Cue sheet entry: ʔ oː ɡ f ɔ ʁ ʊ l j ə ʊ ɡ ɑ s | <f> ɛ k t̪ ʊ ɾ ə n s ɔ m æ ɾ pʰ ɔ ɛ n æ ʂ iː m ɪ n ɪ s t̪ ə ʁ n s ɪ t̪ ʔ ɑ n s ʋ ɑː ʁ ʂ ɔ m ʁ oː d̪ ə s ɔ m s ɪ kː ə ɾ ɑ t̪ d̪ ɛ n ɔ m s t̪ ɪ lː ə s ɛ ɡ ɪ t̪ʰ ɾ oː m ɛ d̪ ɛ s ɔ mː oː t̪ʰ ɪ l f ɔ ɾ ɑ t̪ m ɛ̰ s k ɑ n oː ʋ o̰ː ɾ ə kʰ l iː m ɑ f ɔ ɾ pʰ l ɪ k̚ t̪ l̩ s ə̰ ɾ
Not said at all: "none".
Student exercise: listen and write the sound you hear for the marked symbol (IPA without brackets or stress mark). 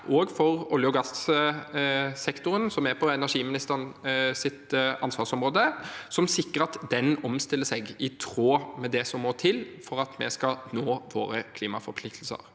s